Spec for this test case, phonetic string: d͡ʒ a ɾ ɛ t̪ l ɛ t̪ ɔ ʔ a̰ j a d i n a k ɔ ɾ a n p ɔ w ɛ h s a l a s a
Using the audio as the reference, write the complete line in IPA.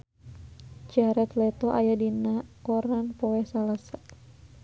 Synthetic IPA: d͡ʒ a ɾ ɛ t̪ l ɛ t̪ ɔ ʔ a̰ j a d i n a k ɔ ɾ a n p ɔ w ɛ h s a l a s a